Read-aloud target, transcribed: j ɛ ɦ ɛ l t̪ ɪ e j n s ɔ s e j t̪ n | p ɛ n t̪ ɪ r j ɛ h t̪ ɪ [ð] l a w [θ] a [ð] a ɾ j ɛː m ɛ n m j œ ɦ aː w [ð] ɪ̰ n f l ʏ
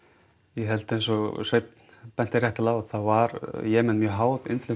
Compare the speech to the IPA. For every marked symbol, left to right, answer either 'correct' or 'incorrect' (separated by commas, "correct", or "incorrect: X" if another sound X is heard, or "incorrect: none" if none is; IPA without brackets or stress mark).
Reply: incorrect: none, correct, incorrect: v, correct